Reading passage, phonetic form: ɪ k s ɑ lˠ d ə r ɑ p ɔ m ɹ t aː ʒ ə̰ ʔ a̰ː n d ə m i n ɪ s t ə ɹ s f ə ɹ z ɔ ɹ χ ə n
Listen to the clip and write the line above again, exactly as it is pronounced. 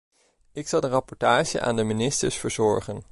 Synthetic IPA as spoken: ɪ k s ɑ lˠ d ə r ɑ p ɔ ɹ t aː ʒ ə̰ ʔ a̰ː n d ə m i n ɪ s t ə ɹ s f ə ɹ z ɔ ɹ χ ə n